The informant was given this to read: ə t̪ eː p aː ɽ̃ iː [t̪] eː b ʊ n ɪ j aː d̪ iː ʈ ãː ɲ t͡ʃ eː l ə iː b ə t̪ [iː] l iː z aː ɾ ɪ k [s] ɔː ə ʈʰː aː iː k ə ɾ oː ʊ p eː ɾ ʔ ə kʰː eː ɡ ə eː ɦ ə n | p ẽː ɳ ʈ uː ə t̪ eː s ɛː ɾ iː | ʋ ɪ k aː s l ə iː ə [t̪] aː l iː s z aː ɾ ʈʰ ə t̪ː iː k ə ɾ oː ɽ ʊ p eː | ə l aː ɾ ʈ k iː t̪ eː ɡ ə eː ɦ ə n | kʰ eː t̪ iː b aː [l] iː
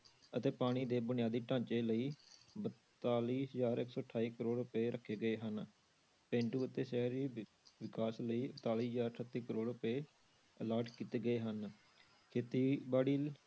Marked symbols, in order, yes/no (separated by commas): no, no, yes, yes, no